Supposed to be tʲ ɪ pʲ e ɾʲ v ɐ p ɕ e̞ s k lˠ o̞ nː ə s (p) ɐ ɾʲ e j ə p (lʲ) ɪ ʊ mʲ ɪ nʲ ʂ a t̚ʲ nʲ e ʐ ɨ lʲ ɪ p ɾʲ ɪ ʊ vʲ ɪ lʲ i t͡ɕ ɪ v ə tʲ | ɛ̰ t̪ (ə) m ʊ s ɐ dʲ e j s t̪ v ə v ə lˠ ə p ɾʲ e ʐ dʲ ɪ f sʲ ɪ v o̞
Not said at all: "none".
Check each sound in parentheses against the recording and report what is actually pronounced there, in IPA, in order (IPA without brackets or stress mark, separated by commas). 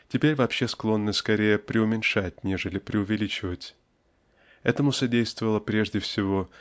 k, ɾʲ, ə